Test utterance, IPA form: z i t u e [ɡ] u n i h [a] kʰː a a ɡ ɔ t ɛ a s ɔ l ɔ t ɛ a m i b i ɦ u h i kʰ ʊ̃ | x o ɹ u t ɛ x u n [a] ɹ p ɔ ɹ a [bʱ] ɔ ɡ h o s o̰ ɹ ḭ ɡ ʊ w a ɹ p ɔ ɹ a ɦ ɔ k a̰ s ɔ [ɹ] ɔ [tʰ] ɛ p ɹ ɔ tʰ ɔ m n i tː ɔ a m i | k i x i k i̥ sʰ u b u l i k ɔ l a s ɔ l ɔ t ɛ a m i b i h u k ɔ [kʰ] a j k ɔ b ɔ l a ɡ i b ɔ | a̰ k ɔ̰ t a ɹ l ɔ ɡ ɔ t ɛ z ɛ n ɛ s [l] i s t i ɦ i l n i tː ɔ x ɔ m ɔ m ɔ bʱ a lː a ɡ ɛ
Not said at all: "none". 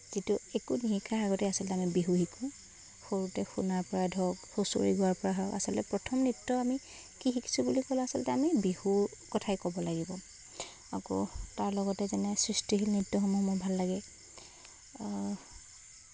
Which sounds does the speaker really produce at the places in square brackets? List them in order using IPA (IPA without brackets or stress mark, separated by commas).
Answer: k, i, a, dʱ, l, t, tʰ, ɹ